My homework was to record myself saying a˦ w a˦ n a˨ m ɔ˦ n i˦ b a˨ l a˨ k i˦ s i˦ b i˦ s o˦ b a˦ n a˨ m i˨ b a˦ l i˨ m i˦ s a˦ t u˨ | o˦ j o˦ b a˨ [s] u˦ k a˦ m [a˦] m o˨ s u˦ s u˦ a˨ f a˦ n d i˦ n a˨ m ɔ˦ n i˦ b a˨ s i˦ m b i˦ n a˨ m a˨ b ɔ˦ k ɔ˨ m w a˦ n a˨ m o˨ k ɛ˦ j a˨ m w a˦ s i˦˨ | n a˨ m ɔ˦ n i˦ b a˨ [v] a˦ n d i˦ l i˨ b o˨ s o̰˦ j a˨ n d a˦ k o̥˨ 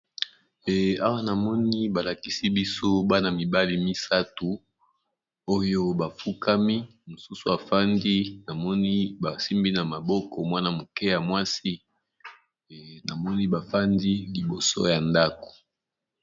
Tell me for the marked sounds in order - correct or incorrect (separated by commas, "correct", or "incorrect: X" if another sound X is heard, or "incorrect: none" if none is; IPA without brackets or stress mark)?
incorrect: f, incorrect: i˦, incorrect: f